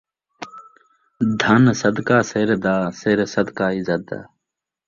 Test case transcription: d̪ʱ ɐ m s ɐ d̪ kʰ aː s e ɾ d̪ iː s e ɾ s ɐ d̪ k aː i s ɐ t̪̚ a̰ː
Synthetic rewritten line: d̪ʱ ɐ n s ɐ d̪ k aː s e ɾ d̪ aː s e ɾ s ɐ d̪ k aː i z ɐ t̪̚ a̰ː